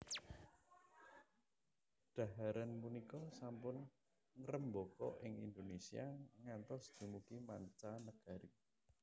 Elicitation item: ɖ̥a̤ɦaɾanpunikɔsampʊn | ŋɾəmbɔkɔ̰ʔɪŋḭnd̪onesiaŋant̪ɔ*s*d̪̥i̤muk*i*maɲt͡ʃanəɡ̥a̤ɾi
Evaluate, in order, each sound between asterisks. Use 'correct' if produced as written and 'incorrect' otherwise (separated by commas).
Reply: correct, correct